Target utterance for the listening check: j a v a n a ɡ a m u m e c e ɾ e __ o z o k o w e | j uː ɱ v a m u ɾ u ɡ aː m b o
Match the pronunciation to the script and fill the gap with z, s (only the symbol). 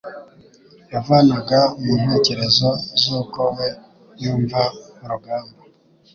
z